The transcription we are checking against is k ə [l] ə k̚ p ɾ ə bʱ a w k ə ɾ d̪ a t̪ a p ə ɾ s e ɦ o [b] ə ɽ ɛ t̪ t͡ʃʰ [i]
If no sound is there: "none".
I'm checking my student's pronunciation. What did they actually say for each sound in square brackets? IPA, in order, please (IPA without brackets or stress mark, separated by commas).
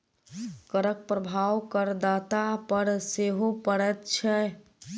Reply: ɾ, p, ɛ